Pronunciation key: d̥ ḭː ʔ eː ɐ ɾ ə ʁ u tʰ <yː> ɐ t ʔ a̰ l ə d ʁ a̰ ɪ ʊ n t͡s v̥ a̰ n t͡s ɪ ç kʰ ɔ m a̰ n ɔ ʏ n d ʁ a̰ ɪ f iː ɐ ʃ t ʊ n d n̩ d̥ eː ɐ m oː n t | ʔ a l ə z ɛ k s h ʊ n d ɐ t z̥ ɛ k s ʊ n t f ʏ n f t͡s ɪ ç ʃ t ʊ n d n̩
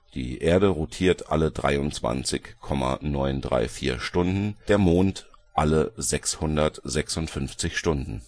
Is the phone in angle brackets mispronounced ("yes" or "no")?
yes